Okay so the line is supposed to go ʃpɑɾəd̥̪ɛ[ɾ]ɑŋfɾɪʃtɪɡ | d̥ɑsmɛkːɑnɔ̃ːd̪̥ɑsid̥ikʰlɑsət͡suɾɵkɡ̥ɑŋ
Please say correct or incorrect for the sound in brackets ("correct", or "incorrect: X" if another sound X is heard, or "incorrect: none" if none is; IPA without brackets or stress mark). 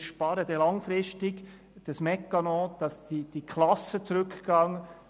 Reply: incorrect: l